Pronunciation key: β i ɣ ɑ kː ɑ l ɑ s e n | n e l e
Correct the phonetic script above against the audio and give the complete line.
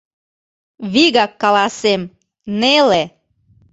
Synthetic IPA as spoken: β i ɣ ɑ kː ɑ l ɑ s e m | n e l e